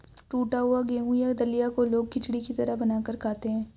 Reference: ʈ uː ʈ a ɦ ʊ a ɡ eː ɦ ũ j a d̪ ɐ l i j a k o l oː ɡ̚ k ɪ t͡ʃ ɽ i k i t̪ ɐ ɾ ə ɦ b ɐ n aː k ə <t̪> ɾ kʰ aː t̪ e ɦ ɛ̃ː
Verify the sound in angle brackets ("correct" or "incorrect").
incorrect